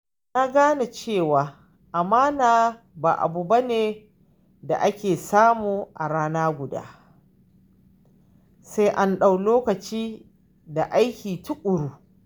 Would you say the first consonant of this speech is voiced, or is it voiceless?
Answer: voiced